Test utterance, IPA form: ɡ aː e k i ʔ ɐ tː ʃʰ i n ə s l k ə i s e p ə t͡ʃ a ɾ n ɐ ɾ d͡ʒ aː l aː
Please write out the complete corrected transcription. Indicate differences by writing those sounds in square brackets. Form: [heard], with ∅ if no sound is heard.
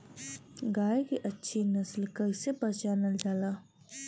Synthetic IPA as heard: ɡ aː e k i ʔ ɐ tː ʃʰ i n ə s l k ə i s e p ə t͡ʃ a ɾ n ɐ [l] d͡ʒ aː l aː